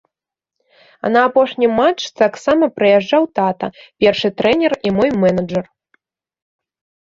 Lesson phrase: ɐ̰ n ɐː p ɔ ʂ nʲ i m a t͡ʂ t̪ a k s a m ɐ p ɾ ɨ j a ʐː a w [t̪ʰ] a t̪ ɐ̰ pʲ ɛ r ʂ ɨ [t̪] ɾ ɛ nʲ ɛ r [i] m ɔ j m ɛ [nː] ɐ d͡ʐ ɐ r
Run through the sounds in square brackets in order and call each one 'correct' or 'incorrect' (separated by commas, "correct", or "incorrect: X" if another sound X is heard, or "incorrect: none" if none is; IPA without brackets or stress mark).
incorrect: t̪, correct, correct, incorrect: n